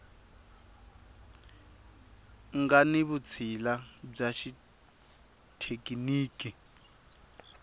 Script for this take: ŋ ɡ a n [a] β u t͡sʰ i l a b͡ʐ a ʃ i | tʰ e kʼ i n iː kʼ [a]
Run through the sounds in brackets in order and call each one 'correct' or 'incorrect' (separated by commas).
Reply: incorrect, incorrect